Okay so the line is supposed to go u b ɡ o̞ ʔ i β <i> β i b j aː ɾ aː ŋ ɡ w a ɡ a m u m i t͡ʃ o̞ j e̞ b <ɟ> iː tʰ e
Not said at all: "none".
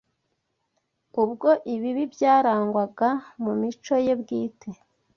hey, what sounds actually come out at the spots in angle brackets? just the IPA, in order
i, ɡ

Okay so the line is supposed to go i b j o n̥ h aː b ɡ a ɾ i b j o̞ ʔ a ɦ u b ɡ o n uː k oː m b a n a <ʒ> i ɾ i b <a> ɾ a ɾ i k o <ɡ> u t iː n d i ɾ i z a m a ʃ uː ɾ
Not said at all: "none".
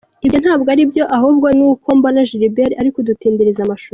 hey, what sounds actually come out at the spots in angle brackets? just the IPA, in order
ʒ, e, d

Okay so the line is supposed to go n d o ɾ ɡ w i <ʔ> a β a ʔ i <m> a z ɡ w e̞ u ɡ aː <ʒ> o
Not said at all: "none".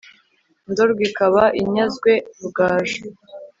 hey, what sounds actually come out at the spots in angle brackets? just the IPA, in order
k, ɲ, ʒ

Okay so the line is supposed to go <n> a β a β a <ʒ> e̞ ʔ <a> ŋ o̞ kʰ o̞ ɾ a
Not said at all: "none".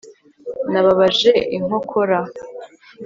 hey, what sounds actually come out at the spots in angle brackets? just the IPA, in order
n, ʒ, i

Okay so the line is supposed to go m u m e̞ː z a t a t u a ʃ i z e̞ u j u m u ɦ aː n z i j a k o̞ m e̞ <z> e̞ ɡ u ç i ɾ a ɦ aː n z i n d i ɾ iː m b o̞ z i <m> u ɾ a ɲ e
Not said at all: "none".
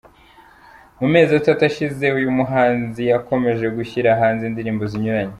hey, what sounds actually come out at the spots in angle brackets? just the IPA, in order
ʒ, ɲ

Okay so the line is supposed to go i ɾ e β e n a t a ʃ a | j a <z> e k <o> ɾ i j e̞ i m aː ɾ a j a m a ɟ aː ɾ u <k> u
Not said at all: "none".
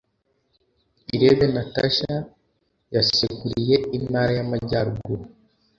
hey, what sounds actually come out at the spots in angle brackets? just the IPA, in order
s, u, ɡ

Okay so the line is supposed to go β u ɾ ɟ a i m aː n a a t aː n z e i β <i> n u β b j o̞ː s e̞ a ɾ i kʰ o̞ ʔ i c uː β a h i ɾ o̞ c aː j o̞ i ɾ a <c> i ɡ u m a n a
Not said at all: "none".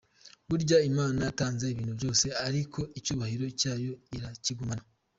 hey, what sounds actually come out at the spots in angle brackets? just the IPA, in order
iː, c

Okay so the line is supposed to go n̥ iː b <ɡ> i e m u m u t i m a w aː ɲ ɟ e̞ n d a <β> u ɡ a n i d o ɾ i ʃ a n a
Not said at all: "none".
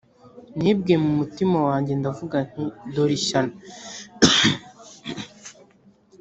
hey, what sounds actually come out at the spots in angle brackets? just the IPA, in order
ɡ, v

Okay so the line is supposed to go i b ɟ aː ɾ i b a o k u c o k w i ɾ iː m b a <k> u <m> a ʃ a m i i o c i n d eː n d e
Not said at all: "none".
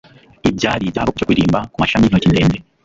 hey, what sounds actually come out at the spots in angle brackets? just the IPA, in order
k, m

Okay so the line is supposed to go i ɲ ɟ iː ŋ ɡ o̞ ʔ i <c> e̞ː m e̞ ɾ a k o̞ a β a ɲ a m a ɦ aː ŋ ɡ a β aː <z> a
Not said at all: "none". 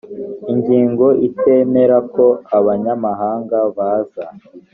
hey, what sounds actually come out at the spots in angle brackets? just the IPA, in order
t, z

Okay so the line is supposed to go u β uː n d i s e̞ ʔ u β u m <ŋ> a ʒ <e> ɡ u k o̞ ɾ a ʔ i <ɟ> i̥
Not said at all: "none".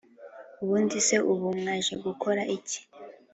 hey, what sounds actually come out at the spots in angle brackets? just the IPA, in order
ŋ, e, c

